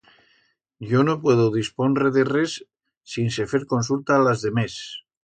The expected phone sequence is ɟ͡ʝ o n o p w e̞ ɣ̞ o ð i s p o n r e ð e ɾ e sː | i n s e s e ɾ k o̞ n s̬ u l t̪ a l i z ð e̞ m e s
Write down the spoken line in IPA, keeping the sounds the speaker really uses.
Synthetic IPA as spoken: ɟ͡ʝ o n o p w e̞ ð̞ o ð i s p o n r e ð e r e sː | i n s e f e ɾ k o̞ n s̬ u l t̪ a l a z ð e̞ m e s